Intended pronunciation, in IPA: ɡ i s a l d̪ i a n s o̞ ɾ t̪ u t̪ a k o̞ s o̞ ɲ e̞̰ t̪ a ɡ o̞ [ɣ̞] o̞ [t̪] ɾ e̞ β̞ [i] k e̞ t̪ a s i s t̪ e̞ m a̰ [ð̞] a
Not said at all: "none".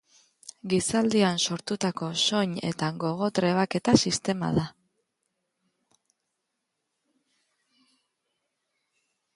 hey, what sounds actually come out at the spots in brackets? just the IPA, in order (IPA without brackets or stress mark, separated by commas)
ɣ̞, t̪, a, ð̞